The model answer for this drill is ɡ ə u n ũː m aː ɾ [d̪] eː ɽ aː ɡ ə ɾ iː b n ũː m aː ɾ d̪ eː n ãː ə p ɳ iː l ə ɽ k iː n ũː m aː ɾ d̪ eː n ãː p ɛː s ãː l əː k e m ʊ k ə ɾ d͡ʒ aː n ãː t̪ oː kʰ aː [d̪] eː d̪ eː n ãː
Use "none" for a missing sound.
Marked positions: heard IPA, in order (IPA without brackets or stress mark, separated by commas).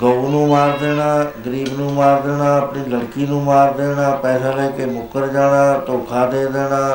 d̪, d̪